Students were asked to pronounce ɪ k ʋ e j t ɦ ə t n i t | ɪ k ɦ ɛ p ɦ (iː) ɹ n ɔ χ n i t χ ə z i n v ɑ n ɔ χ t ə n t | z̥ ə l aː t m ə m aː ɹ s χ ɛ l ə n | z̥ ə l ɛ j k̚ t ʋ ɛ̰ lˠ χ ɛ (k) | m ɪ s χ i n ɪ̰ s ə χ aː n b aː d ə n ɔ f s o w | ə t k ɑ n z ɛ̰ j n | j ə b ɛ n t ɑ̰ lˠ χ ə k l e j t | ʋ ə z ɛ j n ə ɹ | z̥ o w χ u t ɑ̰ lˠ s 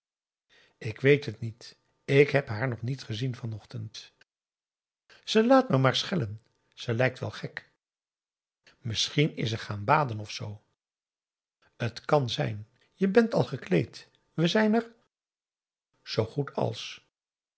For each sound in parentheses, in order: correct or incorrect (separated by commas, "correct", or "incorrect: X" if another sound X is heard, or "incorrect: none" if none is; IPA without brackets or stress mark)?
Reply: incorrect: aː, correct